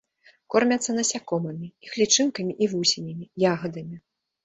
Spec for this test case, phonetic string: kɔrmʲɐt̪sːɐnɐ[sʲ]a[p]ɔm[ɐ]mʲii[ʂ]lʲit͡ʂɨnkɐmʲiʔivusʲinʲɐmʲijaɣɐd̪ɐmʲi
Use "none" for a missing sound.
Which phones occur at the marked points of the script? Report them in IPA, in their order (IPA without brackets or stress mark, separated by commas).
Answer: sʲ, k, ɐ, x